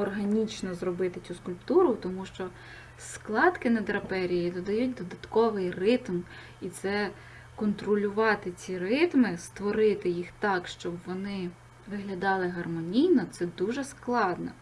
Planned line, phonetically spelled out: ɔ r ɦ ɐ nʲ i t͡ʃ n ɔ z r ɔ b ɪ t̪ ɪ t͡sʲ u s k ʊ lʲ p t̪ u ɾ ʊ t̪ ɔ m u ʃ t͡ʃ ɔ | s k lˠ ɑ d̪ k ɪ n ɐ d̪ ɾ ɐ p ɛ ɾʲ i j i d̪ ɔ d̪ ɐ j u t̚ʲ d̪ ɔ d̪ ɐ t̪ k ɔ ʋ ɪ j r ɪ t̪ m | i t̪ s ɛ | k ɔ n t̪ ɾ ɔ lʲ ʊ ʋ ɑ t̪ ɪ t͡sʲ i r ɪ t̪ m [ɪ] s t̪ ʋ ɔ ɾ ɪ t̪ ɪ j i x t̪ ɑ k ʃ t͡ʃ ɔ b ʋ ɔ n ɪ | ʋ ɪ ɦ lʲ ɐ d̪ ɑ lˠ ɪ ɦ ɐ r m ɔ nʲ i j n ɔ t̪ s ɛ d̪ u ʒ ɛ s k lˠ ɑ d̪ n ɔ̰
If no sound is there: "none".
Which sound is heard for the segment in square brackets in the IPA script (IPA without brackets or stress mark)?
ɪ